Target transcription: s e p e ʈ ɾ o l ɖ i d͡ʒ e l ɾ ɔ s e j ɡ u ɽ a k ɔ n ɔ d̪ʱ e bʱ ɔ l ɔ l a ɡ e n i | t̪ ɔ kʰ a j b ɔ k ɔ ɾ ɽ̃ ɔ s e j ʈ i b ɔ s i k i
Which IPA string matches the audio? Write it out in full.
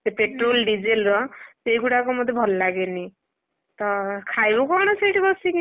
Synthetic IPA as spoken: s e p e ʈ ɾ o l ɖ i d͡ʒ e l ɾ ɔ s e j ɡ u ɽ a k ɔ m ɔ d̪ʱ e bʱ ɔ l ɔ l a ɡ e n i | t̪ ɔ kʰ a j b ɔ k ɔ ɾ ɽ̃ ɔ s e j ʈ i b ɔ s i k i